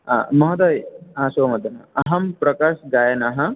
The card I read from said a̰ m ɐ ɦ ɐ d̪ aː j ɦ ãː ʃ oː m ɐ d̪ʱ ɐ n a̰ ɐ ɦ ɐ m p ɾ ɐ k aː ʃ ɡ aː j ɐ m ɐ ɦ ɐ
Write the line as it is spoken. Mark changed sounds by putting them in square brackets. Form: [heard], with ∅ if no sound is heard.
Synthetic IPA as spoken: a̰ m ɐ ɦ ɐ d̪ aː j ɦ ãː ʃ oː m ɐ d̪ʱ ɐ n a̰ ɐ ɦ ɐ m p ɾ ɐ k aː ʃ ɡ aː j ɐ [n] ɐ ɦ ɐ